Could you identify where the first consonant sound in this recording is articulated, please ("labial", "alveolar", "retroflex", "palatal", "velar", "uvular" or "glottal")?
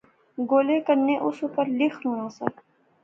velar